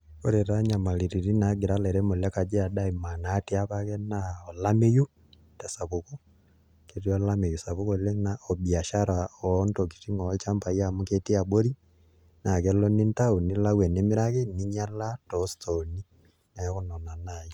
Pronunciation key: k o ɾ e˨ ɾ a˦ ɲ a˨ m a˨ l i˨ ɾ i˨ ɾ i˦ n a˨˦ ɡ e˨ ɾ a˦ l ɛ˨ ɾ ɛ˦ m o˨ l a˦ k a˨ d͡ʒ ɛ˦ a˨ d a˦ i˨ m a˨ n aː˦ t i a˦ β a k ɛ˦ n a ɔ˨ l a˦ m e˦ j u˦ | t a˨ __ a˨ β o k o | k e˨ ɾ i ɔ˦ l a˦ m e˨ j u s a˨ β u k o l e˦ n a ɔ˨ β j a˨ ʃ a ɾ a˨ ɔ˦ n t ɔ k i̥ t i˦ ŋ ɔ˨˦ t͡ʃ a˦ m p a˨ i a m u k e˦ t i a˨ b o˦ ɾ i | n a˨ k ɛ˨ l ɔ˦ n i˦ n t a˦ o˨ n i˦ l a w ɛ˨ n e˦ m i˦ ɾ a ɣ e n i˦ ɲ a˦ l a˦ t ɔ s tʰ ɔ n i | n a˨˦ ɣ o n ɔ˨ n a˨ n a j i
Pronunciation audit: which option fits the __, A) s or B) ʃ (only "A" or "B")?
A